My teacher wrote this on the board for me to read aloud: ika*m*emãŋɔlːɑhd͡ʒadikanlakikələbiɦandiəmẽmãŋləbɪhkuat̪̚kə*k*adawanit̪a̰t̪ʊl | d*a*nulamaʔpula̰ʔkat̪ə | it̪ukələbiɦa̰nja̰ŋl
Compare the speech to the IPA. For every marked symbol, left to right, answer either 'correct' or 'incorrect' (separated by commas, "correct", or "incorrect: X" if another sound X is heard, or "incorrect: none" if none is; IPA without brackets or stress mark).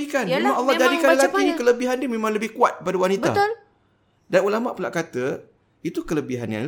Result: incorrect: n, incorrect: p, correct